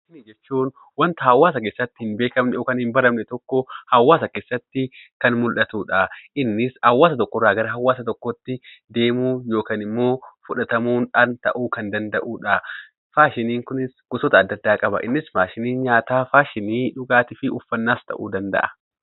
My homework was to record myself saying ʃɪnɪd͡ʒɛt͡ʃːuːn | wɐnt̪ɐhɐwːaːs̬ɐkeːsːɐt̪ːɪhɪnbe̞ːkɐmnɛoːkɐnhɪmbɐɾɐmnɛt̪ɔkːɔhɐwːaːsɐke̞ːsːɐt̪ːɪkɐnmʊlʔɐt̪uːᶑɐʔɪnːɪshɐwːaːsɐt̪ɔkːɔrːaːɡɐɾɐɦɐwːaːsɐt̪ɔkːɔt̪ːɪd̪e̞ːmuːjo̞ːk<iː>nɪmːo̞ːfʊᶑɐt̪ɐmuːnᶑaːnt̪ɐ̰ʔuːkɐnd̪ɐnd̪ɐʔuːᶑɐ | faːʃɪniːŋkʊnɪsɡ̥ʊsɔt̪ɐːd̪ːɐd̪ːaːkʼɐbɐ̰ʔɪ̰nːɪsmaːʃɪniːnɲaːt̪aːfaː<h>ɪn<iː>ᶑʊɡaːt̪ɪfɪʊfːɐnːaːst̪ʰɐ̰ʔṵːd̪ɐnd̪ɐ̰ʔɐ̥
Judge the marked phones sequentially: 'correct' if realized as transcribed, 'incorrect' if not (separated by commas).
incorrect, incorrect, correct